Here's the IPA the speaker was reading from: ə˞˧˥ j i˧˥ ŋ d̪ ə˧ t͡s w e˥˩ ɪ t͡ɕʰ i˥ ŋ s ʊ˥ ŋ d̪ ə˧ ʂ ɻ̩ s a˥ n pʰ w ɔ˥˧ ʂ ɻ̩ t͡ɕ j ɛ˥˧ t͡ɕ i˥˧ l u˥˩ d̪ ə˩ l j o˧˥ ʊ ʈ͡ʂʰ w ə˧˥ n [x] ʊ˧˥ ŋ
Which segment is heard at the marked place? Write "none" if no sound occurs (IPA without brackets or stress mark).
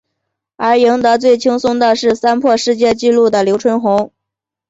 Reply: x